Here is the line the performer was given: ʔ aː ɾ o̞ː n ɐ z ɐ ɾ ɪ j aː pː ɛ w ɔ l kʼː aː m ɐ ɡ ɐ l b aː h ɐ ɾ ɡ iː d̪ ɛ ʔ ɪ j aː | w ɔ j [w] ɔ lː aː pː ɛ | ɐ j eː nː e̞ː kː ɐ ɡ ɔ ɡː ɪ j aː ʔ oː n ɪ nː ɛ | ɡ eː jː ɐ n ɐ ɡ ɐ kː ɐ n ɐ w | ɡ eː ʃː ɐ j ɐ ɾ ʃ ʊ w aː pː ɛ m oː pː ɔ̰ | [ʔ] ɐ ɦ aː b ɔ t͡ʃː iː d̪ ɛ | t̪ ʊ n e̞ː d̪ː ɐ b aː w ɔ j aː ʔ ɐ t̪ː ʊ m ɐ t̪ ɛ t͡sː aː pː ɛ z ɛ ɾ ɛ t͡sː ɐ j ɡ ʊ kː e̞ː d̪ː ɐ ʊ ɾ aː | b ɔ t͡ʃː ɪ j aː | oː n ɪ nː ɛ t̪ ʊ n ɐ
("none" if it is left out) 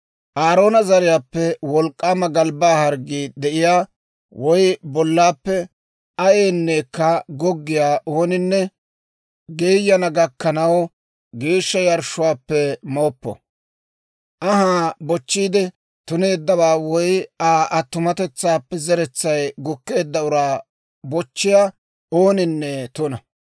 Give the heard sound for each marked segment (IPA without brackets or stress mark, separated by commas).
b, ʔ